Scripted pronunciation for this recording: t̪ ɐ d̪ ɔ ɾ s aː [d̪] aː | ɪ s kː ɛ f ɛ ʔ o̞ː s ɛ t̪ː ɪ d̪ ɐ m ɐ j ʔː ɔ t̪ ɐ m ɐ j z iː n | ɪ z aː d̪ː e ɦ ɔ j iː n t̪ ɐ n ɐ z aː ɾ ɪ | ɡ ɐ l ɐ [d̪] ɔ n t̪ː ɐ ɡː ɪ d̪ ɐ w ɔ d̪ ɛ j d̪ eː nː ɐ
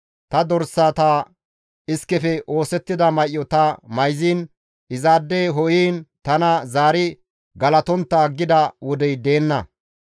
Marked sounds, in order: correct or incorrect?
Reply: incorrect, incorrect

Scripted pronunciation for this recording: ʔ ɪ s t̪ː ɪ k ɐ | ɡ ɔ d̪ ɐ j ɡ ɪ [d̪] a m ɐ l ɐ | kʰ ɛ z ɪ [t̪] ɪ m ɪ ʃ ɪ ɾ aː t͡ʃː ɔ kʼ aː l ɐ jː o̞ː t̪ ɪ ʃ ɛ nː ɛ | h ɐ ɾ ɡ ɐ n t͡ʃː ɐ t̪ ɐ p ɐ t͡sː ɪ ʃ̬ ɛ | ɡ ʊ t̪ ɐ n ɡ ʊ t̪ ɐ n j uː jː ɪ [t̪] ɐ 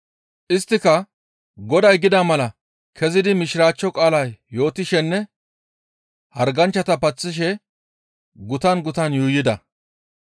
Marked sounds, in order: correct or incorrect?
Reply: correct, incorrect, incorrect

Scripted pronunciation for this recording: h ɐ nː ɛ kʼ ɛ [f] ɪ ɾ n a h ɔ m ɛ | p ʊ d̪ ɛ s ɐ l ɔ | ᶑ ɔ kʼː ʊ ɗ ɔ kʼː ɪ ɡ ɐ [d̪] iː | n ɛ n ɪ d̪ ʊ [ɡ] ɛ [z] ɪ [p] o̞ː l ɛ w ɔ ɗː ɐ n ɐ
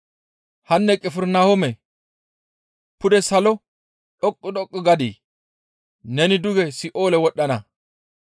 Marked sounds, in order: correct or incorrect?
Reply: correct, correct, correct, incorrect, incorrect

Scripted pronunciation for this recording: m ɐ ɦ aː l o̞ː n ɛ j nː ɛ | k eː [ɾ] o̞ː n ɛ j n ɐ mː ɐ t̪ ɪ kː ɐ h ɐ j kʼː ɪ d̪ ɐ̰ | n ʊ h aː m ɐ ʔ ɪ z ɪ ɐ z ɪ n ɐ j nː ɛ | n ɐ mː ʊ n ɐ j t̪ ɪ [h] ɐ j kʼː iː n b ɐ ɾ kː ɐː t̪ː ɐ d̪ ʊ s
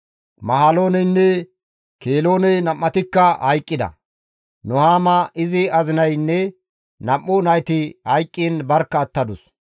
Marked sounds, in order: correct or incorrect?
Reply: incorrect, correct

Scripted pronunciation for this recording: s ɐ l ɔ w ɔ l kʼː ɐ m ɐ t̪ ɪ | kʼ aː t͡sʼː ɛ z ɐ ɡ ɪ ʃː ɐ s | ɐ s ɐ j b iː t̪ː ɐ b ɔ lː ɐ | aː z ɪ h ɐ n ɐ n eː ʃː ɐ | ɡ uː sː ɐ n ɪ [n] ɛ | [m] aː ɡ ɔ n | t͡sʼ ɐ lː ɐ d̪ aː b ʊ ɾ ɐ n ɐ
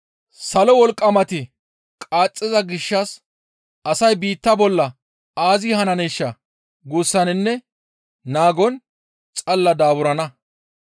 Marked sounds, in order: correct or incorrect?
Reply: incorrect, incorrect

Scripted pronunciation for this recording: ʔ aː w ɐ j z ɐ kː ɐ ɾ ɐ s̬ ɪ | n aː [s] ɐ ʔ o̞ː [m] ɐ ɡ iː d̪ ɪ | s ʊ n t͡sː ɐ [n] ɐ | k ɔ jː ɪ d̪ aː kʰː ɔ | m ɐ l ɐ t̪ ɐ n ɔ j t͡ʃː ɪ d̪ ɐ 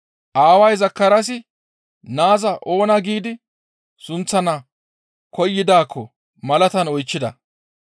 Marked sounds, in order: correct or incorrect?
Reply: incorrect, incorrect, correct

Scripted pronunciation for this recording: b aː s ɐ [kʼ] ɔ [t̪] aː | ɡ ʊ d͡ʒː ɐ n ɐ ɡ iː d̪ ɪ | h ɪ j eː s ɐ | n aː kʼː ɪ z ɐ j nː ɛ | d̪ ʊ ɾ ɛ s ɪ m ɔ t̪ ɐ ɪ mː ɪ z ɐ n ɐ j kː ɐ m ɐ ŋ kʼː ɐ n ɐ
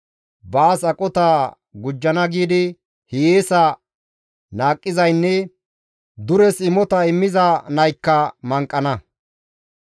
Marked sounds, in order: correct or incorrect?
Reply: correct, correct

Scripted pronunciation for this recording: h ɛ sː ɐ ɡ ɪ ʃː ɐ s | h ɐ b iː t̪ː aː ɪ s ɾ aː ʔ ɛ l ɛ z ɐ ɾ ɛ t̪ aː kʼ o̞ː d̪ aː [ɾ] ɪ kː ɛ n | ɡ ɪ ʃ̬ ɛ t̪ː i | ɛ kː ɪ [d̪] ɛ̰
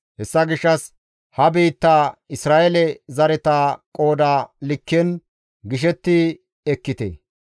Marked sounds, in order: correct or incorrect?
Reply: incorrect, incorrect

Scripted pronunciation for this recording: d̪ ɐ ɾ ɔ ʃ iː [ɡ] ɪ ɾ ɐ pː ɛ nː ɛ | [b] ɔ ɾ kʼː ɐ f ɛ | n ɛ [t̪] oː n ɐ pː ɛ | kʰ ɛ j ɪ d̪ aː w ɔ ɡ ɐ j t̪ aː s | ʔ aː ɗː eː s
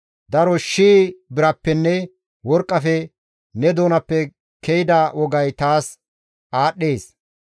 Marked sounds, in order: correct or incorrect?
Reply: incorrect, incorrect, incorrect

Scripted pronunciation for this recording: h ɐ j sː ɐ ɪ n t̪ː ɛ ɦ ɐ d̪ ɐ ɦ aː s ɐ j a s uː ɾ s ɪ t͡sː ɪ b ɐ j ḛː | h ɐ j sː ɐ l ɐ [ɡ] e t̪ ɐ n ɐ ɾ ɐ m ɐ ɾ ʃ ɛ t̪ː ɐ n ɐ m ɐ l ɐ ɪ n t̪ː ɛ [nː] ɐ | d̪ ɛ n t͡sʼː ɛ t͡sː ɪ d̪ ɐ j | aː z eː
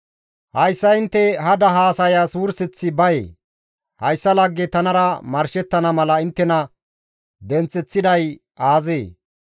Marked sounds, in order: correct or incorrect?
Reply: incorrect, incorrect

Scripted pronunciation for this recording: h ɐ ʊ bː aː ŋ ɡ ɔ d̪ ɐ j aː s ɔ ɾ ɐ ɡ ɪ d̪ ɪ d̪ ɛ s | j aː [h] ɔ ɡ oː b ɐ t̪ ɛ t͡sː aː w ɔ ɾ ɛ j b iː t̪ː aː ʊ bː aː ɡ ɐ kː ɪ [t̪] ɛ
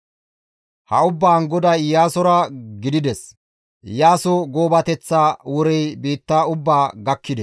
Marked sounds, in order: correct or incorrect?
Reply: incorrect, incorrect

